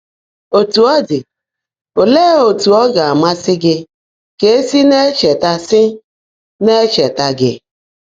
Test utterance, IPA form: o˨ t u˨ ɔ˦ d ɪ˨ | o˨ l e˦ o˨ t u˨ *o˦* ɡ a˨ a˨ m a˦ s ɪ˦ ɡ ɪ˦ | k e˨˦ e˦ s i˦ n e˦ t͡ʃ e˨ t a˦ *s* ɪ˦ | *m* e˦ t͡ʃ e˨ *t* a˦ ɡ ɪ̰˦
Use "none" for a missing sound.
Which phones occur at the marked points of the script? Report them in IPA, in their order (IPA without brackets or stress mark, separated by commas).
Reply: ɔ˦, s, n, t